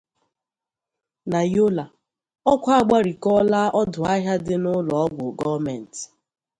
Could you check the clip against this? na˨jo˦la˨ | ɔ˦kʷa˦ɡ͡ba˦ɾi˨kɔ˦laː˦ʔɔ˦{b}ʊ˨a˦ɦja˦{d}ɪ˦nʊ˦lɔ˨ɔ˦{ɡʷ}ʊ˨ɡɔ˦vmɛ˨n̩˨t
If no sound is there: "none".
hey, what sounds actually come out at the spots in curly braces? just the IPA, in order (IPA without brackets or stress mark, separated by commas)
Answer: d, d, ɡʷ